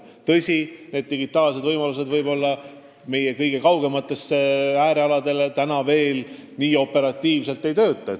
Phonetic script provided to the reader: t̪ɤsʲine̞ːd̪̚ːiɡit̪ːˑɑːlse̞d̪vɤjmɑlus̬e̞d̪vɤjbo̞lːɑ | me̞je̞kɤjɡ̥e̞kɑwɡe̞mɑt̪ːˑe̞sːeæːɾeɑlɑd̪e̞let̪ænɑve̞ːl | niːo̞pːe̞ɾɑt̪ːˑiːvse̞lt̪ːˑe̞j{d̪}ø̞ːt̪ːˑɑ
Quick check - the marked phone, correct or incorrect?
incorrect